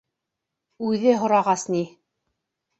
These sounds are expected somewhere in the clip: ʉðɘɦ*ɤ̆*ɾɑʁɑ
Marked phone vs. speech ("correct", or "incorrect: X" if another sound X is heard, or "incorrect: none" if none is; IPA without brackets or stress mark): incorrect: ŏ